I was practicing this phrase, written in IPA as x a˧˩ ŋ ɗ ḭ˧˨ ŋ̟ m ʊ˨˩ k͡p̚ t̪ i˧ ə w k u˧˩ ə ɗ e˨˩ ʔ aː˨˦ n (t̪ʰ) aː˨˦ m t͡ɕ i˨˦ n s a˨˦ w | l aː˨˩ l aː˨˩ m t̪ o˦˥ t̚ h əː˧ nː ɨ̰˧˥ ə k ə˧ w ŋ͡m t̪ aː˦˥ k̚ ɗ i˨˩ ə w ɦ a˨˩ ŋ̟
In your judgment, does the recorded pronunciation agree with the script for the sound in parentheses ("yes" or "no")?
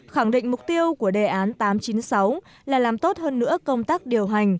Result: no